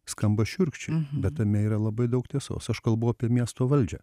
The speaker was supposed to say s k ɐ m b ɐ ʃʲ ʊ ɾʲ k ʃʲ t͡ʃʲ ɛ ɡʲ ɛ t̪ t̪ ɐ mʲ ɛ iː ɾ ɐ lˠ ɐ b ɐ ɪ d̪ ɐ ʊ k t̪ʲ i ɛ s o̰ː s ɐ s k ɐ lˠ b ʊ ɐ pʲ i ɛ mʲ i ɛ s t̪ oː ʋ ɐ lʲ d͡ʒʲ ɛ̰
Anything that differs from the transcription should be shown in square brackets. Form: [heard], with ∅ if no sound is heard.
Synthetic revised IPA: s k ɐ m b ɐ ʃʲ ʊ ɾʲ k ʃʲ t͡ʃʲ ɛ [bʲ] ɛ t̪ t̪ ɐ mʲ ɛ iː ɾ ɐ lˠ ɐ b ɐ ɪ d̪ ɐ ʊ k t̪ʲ i ɛ s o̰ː s ɐ [ʃ] k ɐ lˠ b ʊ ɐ pʲ i ɛ mʲ i ɛ s t̪ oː ʋ ɐ lʲ d͡ʒʲ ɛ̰